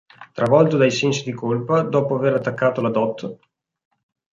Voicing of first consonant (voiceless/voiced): voiceless